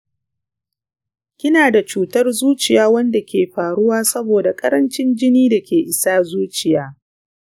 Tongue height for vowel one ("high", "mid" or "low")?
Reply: high